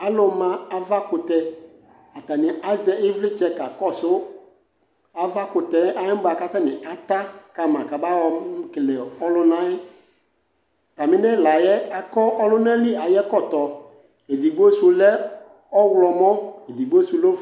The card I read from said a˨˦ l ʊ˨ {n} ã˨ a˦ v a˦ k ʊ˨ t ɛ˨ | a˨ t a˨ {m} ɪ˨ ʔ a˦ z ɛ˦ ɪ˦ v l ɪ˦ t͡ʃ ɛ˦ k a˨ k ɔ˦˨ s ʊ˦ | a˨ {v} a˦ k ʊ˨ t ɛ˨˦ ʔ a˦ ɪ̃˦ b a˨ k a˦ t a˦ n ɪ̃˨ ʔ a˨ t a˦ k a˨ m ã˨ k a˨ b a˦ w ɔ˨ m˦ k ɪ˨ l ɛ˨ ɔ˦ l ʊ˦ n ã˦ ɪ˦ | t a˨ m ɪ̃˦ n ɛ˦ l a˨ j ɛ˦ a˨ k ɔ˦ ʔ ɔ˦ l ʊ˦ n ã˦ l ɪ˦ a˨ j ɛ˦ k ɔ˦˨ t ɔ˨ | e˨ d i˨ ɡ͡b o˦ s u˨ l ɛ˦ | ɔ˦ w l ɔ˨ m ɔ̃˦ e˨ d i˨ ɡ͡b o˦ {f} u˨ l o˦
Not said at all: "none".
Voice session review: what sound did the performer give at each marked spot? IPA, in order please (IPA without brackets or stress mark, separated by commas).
m, n, v, s